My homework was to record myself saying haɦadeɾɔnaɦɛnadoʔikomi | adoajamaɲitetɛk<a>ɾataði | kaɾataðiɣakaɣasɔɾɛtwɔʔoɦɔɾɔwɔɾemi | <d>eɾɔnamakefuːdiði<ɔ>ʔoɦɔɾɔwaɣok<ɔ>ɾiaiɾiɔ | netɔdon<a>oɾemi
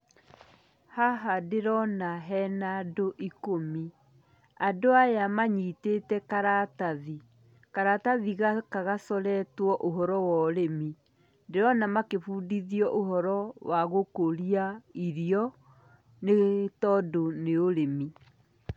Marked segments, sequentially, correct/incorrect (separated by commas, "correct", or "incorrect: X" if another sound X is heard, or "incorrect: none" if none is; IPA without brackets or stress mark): correct, correct, correct, incorrect: o, incorrect: e